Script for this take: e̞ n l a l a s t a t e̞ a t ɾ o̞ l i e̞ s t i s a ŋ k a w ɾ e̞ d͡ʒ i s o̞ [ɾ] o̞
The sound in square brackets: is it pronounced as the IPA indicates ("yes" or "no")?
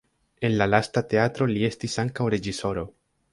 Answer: yes